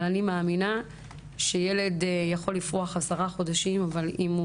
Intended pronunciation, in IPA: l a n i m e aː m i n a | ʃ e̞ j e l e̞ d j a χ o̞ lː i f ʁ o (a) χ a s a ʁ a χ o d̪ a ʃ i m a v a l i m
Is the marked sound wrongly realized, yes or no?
no